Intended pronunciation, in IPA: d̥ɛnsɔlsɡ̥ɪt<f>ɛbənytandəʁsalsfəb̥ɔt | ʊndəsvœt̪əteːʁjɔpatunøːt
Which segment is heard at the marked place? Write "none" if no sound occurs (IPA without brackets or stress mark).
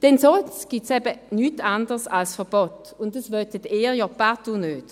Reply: s